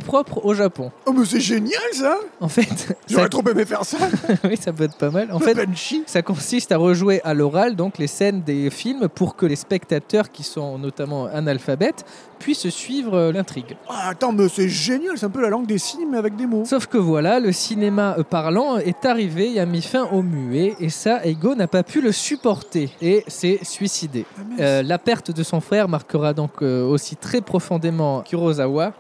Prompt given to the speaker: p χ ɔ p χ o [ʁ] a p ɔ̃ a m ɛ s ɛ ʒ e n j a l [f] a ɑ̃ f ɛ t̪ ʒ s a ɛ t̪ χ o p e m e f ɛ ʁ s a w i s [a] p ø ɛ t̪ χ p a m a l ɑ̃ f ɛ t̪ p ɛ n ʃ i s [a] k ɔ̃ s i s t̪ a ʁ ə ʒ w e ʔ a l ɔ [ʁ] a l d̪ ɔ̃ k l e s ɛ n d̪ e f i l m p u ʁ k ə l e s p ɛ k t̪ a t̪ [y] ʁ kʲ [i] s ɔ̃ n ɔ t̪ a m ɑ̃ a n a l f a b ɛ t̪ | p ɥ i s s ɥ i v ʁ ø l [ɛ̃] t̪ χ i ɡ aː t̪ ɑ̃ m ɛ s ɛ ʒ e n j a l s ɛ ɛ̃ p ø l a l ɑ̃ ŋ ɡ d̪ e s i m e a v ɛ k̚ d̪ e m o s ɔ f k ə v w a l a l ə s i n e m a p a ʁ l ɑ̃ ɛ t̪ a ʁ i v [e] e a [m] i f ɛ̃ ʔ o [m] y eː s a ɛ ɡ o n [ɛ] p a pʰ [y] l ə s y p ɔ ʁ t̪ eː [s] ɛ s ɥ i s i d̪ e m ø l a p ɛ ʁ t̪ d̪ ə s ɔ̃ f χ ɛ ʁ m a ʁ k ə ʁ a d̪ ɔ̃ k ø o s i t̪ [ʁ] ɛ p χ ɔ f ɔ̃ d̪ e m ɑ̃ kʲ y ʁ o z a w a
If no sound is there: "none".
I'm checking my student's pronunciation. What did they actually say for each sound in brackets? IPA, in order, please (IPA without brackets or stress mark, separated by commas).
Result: ʒ, s, a, a, ʁ, œ, i, ɛ̃, e, m, m, a, y, s, χ